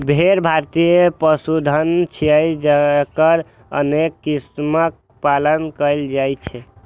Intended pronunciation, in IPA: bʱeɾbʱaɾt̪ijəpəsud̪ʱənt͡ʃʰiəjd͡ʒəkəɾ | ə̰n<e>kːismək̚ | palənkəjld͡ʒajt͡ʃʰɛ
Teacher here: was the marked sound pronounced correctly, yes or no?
yes